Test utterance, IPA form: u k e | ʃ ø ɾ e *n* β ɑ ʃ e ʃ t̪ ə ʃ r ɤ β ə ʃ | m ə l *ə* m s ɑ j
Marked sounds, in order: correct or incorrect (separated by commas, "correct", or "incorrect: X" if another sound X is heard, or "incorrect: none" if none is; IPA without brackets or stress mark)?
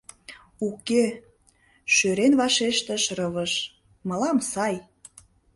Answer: correct, incorrect: ɑ